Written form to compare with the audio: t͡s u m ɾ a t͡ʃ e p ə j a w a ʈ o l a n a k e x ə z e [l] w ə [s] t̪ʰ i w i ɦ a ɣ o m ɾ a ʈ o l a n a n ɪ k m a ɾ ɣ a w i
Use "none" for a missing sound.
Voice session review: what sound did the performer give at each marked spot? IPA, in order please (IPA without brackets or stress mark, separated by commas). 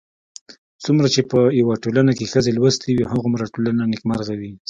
l, s